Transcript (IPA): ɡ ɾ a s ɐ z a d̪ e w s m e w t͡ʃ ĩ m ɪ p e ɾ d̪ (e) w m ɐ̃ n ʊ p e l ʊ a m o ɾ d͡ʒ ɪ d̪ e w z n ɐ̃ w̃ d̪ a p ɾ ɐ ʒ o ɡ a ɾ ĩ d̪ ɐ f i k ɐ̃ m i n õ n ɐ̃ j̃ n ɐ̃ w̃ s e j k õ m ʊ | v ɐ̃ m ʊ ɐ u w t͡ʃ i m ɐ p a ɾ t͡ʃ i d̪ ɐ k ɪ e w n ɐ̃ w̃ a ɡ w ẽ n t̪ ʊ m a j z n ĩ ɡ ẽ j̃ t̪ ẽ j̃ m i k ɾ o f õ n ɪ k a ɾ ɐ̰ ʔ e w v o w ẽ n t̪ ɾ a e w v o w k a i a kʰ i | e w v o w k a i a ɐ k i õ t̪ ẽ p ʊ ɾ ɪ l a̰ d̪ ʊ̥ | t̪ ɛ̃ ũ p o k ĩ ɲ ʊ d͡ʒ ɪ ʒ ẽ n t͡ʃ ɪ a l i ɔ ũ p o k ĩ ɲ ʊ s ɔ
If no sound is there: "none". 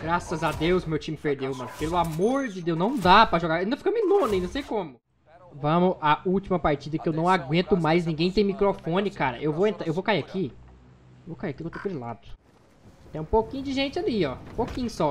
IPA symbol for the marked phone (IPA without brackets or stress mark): e